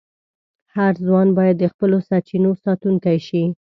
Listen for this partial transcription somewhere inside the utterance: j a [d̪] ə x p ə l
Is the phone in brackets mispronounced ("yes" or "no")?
yes